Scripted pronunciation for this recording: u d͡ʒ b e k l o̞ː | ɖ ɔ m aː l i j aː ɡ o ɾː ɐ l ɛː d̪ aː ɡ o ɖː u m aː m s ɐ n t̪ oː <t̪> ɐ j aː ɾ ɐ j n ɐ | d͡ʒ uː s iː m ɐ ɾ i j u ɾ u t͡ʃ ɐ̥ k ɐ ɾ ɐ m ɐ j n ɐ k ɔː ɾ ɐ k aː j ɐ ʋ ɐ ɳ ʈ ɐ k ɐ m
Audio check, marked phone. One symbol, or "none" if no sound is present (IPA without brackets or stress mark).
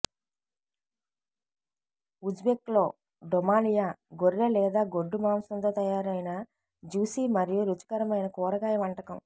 t̪